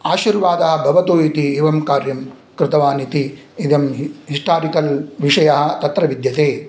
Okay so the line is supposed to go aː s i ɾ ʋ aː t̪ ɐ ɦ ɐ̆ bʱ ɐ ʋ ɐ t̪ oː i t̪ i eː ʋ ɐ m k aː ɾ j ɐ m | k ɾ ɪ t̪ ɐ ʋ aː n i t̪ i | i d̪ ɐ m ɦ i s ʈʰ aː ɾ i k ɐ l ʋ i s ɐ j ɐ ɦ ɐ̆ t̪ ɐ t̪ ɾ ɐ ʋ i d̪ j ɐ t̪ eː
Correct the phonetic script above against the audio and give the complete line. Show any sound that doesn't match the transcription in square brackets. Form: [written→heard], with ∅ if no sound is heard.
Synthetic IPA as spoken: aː [s→ʃ] i ɾ ʋ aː [t̪→d̪] ɐ ɦ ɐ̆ bʱ ɐ ʋ ɐ t̪ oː i t̪ i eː ʋ ɐ m k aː ɾ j ɐ m | k ɾ ɪ t̪ ɐ ʋ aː n i t̪ i | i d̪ ɐ m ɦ i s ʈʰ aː ɾ i k ɐ l ʋ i [s→ʂ] ɐ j ɐ ɦ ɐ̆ t̪ ɐ t̪ ɾ ɐ ʋ i d̪ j ɐ t̪ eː